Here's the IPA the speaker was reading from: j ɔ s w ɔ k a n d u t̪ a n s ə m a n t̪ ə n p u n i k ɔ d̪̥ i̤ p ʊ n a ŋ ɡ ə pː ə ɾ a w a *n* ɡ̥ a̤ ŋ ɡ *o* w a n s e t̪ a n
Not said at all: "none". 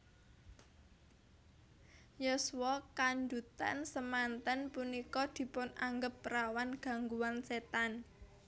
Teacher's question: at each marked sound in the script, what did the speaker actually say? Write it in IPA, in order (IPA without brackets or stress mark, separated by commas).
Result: n, u